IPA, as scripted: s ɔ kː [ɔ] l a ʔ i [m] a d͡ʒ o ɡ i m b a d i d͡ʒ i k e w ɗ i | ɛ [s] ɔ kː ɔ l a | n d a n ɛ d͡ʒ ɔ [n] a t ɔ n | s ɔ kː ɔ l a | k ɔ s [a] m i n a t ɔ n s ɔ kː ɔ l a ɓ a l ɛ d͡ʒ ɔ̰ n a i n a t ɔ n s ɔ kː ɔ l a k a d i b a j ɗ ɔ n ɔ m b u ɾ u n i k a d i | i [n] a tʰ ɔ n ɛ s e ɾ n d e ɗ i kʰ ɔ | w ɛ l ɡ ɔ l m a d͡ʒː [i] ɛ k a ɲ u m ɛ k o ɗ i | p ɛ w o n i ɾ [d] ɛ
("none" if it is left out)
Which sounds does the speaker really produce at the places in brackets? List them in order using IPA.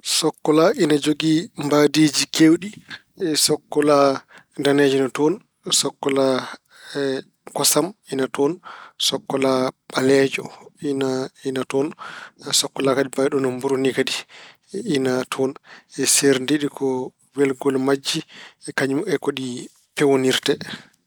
ɔ, n, s, n, a, n, i, t

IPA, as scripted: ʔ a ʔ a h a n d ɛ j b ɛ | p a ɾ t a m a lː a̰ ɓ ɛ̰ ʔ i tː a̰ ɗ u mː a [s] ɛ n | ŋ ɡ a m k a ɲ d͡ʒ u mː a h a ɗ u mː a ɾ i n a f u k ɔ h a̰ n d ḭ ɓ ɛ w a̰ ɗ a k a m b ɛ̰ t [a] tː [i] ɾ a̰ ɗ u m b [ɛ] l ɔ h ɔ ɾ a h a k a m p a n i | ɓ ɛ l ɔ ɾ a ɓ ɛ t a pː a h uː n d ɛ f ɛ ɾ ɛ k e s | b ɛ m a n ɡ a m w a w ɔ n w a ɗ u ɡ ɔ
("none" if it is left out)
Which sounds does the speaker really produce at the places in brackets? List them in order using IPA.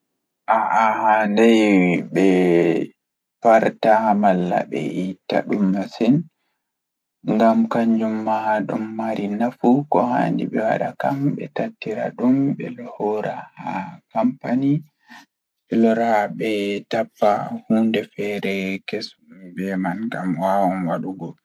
s, a, i, ɛ

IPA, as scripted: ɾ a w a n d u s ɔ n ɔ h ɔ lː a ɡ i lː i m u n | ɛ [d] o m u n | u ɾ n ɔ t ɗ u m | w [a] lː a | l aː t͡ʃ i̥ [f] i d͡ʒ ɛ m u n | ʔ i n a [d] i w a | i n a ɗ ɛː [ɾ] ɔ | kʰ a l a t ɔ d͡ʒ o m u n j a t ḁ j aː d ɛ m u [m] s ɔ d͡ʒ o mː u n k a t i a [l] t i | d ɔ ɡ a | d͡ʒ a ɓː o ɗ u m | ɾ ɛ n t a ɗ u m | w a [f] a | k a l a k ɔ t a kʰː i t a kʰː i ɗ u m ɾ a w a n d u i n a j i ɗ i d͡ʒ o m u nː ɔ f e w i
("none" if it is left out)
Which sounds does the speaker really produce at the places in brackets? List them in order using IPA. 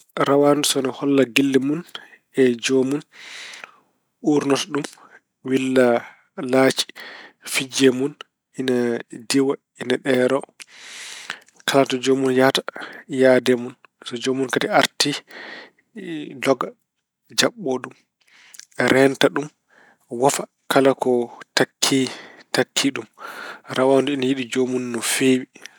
d͡ʒ, i, f, d, ɾ, n, ɾ, f

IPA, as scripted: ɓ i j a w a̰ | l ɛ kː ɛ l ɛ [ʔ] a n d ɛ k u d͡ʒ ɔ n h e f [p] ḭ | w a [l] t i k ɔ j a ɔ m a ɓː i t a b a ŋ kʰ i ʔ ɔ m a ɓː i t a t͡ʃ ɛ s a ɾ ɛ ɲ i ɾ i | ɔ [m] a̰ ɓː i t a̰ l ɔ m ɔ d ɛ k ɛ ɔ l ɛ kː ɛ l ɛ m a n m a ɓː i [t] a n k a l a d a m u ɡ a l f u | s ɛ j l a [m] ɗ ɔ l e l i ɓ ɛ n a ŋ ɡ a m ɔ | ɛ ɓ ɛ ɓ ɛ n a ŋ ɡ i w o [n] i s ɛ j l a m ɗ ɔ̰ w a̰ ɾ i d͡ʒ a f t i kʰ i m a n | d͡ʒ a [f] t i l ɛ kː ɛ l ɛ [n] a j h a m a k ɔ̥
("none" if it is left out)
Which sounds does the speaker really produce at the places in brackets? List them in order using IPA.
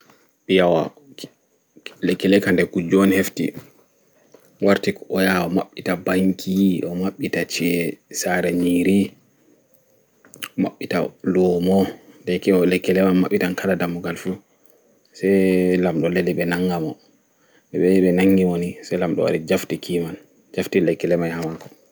k, t, ɾ, m, t, m, n, f, m

